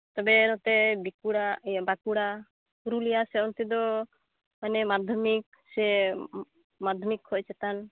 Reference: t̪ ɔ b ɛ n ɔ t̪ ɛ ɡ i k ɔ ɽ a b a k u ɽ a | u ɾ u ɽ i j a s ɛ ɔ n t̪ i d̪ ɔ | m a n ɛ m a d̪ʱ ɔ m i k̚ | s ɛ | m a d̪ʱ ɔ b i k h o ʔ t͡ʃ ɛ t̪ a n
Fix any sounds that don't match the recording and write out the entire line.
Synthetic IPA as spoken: t̪ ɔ b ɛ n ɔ t̪ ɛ b i k u ɽ a b a k u ɽ a | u ɾ u l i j a s ɛ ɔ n t̪ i d̪ ɔ | m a n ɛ m a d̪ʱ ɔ m i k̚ | s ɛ | m a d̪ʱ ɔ m i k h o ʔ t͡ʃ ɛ t̪ a n